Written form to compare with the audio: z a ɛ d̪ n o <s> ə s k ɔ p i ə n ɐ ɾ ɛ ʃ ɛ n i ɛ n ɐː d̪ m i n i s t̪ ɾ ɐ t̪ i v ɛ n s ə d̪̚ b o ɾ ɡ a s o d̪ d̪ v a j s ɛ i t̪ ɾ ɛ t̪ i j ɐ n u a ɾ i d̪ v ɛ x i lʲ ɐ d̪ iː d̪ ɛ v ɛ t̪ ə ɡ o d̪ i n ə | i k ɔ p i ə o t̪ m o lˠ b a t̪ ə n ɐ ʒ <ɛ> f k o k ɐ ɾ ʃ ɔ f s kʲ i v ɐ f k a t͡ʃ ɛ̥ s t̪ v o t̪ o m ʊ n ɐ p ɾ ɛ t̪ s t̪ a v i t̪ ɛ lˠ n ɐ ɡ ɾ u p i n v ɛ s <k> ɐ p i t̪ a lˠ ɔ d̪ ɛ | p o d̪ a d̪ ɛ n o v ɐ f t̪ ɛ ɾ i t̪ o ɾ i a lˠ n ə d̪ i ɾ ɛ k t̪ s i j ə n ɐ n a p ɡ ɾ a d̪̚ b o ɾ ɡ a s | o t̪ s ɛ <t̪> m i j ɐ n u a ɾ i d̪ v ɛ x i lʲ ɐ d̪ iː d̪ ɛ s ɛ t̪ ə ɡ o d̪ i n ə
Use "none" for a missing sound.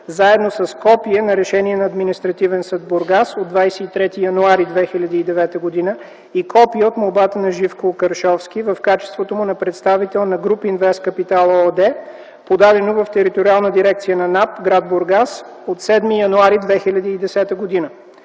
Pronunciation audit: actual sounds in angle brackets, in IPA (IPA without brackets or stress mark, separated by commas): s, i, k, d̪